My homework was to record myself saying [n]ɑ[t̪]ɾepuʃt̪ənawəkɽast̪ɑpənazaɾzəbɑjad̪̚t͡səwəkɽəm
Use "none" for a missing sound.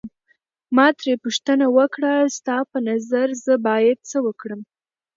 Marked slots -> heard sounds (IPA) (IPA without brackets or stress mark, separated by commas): m, t̪